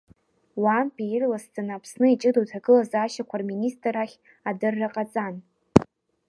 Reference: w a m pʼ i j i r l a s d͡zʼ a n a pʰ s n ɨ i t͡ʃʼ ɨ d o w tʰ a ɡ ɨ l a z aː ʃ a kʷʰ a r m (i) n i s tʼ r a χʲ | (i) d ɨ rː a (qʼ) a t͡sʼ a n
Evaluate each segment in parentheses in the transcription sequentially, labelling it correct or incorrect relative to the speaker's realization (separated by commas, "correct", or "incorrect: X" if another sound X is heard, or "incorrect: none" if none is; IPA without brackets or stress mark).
correct, incorrect: a, correct